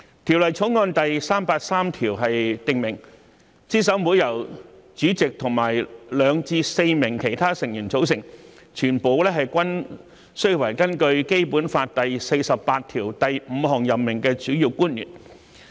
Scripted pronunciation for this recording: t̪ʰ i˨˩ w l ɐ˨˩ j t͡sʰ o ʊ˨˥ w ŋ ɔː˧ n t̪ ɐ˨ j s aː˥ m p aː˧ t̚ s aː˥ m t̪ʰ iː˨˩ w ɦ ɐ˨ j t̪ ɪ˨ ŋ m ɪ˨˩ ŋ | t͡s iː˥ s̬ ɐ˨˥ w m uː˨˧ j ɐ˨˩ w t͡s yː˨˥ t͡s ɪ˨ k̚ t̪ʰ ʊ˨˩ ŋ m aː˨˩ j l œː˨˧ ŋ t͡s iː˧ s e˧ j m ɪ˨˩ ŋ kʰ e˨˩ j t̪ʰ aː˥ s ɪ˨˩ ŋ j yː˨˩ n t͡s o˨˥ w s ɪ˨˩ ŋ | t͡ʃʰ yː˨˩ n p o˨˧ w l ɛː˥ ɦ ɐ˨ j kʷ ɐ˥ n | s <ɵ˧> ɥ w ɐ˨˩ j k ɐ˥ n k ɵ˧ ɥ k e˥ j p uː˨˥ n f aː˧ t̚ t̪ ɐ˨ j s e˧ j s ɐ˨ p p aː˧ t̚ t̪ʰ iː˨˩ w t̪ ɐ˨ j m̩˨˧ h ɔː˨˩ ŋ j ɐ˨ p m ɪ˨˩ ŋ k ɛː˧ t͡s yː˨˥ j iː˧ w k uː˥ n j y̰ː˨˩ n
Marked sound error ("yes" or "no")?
yes